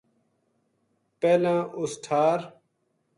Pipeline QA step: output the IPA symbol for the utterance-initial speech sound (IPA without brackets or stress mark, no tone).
p